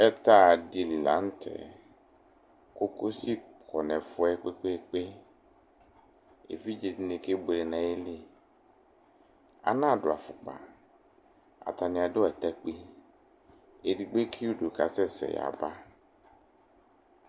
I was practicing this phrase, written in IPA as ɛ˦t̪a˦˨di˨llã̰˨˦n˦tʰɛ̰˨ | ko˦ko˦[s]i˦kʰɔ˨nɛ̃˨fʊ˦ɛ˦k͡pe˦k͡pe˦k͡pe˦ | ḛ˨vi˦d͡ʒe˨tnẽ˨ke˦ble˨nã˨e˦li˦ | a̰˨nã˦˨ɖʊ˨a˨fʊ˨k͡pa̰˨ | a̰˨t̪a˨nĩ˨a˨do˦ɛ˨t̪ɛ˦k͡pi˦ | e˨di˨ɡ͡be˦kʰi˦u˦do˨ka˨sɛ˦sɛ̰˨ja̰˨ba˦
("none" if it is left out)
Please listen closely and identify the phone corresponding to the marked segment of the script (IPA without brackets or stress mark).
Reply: s